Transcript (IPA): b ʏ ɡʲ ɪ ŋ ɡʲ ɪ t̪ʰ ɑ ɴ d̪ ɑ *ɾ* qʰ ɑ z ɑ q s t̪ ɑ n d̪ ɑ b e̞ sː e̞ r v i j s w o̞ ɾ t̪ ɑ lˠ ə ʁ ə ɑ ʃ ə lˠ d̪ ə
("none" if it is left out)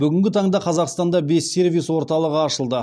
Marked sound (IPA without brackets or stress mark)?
none